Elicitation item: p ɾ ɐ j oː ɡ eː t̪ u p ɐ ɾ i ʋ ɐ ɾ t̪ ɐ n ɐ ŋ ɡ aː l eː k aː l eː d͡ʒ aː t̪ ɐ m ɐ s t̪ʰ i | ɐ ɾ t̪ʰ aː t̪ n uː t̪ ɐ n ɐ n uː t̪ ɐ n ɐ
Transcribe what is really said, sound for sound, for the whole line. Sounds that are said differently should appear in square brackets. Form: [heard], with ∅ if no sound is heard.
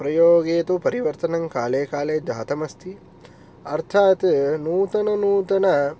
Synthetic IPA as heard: p ɾ ɐ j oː ɡ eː t̪ u p ɐ ɾ i ʋ ɐ ɾ t̪ ɐ n ɐ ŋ [k] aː l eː k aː l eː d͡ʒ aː t̪ ɐ m ɐ s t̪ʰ i | ɐ ɾ t̪ʰ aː t̪ n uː t̪ ɐ n ɐ n uː t̪ ɐ n ɐ